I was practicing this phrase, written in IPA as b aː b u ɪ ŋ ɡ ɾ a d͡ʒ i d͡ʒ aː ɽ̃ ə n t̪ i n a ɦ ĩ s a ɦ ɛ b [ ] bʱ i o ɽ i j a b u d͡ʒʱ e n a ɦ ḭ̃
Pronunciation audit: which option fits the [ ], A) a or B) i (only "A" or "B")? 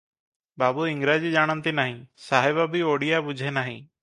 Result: A